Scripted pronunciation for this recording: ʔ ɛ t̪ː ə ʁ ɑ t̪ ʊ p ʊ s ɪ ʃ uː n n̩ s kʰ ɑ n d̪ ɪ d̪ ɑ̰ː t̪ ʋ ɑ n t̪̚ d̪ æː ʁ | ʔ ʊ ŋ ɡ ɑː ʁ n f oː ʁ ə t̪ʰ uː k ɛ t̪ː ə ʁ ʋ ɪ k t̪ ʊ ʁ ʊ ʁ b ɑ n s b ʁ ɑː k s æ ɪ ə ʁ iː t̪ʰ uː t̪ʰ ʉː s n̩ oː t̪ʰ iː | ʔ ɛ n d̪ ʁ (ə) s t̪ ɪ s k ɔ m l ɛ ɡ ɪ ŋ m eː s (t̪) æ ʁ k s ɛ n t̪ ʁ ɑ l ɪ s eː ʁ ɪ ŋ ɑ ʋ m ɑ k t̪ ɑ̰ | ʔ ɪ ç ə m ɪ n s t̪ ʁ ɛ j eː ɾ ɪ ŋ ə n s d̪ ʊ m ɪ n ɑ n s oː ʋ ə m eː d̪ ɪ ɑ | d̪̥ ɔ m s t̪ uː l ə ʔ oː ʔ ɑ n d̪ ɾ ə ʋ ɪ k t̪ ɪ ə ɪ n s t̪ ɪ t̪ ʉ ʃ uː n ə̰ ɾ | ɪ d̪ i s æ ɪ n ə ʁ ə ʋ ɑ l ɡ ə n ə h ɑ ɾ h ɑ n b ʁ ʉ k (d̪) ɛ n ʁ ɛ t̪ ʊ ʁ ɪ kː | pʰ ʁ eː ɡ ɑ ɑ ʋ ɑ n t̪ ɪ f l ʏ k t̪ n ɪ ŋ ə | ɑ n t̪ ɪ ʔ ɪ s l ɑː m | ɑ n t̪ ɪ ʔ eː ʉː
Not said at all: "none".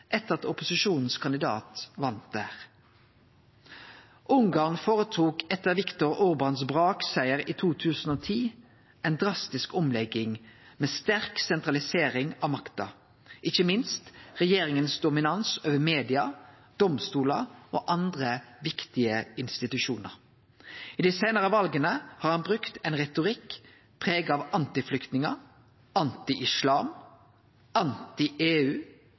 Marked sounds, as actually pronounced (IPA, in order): ɑ, t̪, t̪

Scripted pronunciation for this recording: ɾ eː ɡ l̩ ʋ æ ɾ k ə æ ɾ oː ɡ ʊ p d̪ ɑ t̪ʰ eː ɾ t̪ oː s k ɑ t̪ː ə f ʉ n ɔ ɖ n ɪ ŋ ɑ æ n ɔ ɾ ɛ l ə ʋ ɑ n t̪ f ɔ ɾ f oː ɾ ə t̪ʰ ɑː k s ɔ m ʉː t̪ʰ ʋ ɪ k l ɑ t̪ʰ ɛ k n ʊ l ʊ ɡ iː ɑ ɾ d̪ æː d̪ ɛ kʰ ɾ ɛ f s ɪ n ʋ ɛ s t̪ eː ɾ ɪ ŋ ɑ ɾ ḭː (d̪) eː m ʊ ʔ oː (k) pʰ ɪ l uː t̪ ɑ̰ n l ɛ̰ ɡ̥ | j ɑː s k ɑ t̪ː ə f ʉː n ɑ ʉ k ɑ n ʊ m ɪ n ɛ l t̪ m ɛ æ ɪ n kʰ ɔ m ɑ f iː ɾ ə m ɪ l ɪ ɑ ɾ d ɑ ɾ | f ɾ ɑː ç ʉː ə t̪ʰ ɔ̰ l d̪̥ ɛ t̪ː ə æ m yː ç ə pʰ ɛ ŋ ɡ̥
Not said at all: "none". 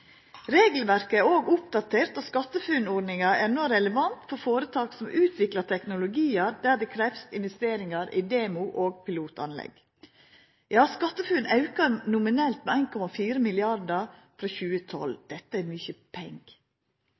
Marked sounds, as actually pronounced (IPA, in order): d̪, ɡ

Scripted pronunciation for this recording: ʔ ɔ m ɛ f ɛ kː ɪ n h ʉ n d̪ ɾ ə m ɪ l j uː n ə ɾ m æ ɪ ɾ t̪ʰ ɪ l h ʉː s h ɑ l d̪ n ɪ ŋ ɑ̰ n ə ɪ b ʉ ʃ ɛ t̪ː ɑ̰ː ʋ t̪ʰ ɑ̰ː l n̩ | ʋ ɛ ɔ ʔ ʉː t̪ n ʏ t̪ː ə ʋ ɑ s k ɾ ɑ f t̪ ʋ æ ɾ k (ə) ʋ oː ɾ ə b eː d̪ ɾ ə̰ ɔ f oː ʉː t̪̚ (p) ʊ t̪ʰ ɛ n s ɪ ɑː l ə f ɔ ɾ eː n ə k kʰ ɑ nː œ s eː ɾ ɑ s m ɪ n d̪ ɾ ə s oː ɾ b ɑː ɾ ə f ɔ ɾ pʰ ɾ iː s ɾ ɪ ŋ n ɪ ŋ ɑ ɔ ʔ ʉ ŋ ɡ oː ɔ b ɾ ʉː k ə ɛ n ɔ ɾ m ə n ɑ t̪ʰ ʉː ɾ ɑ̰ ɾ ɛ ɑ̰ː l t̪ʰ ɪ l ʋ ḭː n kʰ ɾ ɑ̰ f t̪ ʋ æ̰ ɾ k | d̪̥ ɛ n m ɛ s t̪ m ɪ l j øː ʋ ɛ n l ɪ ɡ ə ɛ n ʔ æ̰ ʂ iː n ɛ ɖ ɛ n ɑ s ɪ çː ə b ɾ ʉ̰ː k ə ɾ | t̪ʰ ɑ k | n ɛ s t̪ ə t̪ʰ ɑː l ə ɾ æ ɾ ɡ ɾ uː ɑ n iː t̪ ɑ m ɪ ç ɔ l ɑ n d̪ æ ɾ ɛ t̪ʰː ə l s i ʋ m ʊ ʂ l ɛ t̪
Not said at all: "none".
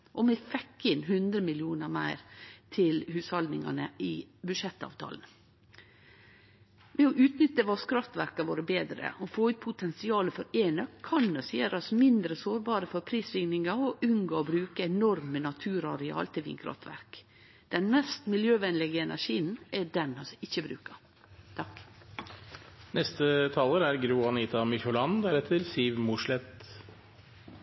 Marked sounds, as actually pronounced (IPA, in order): ɑ, pʰ

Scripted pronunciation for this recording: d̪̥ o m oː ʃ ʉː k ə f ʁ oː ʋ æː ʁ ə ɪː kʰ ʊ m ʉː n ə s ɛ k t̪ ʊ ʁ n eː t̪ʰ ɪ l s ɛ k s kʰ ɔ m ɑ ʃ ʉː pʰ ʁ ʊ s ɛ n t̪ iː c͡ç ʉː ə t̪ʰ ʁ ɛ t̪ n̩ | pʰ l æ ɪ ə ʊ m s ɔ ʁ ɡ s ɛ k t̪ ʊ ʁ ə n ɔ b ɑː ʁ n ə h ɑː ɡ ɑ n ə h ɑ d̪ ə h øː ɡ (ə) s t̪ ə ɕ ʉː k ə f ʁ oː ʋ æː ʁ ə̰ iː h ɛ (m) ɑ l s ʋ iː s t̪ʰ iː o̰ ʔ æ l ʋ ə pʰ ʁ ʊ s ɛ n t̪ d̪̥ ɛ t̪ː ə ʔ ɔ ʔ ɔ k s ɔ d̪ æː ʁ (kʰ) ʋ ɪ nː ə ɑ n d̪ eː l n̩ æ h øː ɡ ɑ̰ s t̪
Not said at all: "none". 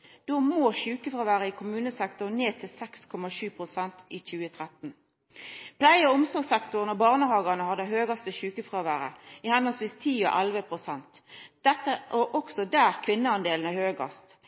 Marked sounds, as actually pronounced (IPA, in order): ɑ, n, kʰ

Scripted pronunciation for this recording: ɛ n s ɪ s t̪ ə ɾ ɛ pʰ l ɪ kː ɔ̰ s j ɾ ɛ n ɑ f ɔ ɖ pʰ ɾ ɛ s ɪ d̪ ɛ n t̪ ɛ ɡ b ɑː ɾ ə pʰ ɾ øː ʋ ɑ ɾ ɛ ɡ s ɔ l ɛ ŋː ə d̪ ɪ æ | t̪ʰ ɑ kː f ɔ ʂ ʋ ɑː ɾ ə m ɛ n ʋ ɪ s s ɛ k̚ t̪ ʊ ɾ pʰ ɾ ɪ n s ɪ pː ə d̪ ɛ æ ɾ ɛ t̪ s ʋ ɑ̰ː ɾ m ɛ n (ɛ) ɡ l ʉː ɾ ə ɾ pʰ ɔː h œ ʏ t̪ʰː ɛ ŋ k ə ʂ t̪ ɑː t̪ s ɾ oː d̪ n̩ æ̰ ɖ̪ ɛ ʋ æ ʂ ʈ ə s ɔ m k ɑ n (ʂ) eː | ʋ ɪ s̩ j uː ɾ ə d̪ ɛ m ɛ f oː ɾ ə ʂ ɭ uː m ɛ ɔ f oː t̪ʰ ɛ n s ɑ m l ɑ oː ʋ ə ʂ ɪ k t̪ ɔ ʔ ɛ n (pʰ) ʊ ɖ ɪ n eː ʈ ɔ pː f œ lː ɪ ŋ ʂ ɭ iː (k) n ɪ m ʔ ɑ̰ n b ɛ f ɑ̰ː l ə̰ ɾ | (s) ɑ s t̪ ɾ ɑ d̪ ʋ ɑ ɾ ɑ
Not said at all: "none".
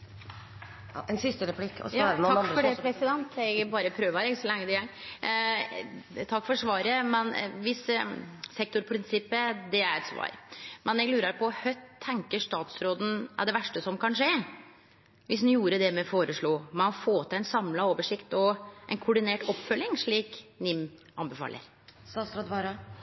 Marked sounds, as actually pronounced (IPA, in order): ɛ, ʂ, kʰ, k, s

